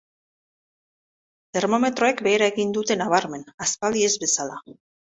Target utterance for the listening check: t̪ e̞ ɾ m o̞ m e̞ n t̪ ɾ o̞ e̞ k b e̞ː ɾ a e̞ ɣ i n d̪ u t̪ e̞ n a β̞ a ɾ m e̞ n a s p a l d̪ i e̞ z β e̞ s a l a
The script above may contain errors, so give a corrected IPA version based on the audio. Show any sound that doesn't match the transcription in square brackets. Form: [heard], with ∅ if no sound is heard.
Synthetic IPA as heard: t̪ e̞ ɾ m o̞ m e̞ [∅] t̪ ɾ o̞ e̞ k b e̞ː ɾ a e̞ ɣ i n d̪ u t̪ e̞ n a β̞ a ɾ m e̞ n a s p a l d̪ i e̞ z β e̞ s a l a